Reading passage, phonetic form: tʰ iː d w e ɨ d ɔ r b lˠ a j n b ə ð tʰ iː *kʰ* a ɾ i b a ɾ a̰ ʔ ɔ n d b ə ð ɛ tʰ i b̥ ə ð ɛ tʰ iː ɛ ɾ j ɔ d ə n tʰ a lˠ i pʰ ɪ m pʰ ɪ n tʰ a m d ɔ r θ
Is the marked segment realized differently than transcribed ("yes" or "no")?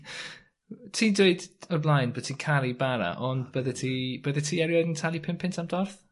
no